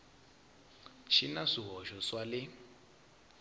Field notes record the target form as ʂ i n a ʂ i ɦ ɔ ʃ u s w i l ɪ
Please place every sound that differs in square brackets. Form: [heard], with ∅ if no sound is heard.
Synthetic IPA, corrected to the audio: [ʃ] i n a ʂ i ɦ ɔ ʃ [ɔ] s w [a] l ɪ